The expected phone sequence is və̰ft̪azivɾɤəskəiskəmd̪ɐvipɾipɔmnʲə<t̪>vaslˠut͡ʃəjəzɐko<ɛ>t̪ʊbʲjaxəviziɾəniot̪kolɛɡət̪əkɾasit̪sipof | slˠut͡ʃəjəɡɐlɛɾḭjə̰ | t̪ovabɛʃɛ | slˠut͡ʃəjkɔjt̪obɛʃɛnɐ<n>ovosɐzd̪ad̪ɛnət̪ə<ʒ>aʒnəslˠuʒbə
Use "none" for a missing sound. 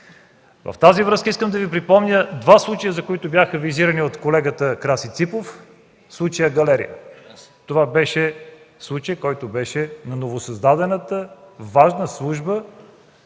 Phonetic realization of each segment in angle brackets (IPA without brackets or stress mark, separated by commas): d̪, i, n, v